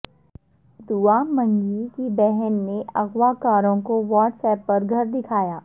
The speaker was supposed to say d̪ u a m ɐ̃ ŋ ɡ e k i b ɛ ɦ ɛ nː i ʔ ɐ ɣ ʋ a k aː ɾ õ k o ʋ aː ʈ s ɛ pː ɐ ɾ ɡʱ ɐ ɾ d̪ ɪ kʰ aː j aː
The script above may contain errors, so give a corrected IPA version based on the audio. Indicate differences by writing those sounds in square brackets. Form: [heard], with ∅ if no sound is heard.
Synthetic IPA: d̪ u a m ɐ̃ ŋ ɡ [i] k i b ɛ ɦ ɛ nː [e] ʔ ɐ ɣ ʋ a k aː ɾ õ k o ʋ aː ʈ s [ɛː] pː ɐ ɾ ɡʱ ɐ ɾ d̪ ɪ kʰ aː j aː